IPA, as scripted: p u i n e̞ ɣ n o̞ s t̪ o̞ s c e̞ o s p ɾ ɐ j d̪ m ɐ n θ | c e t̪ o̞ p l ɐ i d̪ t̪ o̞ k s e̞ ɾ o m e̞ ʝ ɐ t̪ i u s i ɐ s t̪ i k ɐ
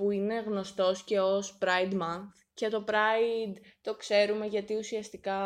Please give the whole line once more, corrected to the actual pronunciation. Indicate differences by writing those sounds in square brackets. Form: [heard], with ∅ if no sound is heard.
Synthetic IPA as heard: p u i n e̞ ɣ n o̞ s t̪ o̞ s c e̞ o s p ɾ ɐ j d̪ m ɐ n θ | c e t̪ o̞ p [ɾ] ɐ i d̪ t̪ o̞ k s e̞ ɾ [u] m e̞ ʝ ɐ t̪ i u s i ɐ s t̪ i k ɐ